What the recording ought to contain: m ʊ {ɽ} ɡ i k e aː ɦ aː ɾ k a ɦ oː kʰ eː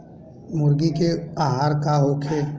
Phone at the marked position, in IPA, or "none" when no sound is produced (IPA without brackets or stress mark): ɾ